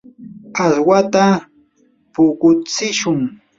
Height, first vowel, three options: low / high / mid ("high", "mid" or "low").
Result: low